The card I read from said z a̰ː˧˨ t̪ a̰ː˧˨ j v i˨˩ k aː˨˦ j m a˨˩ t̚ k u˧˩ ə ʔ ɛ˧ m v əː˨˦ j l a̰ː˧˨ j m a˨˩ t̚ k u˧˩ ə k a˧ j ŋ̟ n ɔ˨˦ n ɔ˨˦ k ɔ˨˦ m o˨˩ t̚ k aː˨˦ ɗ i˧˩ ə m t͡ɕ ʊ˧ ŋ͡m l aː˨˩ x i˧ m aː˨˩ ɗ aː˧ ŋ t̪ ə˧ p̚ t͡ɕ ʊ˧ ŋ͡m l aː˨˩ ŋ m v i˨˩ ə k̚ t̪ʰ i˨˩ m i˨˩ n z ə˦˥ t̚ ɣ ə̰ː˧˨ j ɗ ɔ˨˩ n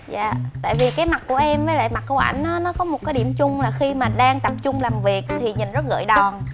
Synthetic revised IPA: z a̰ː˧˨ t̪ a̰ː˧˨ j v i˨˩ k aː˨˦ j m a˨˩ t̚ k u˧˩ ə ʔ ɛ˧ m v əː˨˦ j l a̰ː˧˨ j m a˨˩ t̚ k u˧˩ ə ʔ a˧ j ŋ̟ n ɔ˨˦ n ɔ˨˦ k ɔ˨˦ m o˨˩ t̚ k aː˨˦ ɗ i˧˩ ə m t͡ɕ ʊ˧ ŋ͡m l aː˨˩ x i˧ m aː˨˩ ɗ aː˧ ŋ t̪ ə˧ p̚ t͡ɕ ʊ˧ ŋ͡m l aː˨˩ m v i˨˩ ə k̚ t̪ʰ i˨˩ ɲ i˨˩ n z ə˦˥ t̚ ɣ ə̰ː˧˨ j ɗ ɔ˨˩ n